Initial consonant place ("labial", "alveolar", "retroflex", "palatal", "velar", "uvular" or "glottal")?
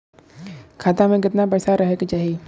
velar